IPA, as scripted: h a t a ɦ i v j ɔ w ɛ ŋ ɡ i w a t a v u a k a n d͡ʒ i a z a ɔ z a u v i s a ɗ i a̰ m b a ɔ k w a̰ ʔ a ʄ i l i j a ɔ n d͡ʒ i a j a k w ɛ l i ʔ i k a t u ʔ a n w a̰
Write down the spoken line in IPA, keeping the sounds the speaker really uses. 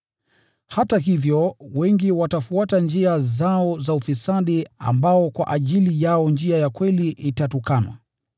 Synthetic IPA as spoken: h a t a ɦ i v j ɔ w ɛ ŋ ɡ i w a t a f u a t a n d͡ʒ i a z a ɔ z a u f i s a ɗ i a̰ m b a ɔ k w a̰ ʔ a ʄ i l i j a ɔ n d͡ʒ i a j a k w ɛ l i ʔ i t a t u k a n w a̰

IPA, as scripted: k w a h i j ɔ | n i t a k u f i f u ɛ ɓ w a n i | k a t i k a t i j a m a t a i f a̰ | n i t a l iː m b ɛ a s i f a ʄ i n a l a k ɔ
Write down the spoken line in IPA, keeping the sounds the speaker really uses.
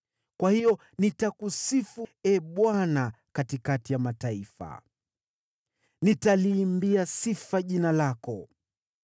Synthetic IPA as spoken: k w a h i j ɔ | n i t a k u s i f u ɛ ɓ w a n a | k a t i k a t i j a m a t a i f a̰ | n i t a l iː m b i a s i f a ʄ i n a l a k ɔ

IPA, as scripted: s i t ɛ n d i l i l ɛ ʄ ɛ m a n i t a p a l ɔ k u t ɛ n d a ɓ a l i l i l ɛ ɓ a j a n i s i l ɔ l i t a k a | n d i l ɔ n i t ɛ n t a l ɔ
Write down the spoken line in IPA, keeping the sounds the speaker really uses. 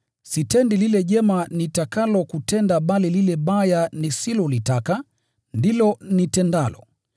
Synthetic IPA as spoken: s i t ɛ n d i l i l ɛ ʄ ɛ m a n i t a k a l ɔ k u t ɛ n d a ɓ a l i l i l ɛ ɓ a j a n i s i l ɔ l i t a k a | n d i l ɔ n i t ɛ n d a l ɔ

